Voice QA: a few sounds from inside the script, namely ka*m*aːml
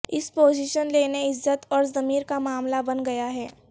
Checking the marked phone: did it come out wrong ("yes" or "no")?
no